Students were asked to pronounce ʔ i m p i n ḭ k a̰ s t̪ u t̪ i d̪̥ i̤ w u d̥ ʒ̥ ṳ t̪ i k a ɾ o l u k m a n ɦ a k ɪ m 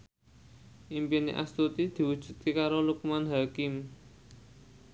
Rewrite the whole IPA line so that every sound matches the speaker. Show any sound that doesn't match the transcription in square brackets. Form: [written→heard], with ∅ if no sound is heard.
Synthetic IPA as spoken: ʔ i m p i n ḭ [k→ʔ] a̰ s t̪ u t̪ i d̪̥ i̤ w u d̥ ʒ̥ ṳ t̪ i k a ɾ o l u k m a n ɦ a k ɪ m